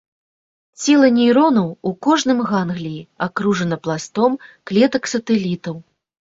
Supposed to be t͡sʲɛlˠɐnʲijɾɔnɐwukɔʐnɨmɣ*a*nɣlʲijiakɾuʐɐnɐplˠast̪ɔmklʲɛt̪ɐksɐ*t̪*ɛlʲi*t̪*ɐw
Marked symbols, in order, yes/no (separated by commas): yes, yes, yes